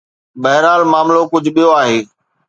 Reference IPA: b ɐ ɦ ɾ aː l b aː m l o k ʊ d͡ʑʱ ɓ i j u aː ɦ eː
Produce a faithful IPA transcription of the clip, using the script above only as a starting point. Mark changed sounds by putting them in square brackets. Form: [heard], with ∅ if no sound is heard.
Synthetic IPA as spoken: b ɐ ɦ ɾ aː l [m] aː m l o k ʊ d͡ʑʱ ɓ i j [o] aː ɦ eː